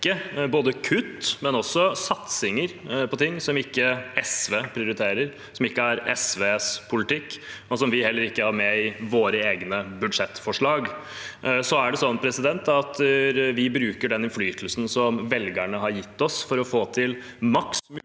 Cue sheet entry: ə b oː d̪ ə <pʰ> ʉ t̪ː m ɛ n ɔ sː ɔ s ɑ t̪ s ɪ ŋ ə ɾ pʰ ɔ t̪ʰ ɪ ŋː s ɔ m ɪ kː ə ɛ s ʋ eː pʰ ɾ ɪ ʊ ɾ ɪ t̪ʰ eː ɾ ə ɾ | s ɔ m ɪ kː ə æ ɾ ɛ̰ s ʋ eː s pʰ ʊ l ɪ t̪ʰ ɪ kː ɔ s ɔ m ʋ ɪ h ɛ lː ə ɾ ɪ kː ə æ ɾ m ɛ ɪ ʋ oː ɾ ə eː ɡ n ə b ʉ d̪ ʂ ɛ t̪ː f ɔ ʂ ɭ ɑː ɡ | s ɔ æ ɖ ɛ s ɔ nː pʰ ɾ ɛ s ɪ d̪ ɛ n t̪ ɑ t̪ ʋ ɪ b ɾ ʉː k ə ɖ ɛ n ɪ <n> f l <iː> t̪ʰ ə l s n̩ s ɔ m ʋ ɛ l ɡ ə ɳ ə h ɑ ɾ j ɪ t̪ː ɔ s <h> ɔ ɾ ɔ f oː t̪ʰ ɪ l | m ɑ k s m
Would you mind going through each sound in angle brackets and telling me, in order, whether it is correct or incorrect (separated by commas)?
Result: incorrect, correct, incorrect, incorrect